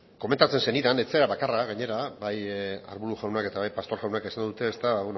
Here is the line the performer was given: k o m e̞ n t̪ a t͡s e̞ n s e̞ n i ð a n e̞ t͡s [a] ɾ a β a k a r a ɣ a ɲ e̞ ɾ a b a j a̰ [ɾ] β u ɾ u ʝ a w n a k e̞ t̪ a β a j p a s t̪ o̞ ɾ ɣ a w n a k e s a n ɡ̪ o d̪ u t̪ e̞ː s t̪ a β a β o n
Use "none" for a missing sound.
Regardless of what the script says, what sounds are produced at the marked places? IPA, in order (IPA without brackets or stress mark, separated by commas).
e, ɾ